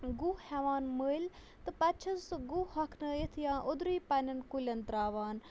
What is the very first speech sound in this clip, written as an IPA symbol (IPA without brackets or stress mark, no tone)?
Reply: ɡ